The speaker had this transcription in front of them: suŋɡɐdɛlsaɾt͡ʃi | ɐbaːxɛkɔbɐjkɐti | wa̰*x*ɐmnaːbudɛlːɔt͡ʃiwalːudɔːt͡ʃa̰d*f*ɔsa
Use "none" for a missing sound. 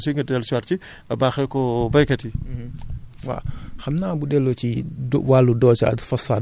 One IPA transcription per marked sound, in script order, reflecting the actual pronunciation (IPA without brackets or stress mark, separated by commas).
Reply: x, f